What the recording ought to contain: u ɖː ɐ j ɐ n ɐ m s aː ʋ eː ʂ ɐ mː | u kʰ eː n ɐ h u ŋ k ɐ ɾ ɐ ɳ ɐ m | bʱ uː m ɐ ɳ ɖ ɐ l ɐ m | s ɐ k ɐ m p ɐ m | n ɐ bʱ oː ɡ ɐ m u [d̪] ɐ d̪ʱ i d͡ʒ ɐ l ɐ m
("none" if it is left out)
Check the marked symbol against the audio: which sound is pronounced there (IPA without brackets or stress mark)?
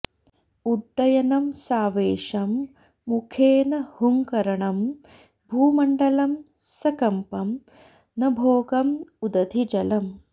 d̪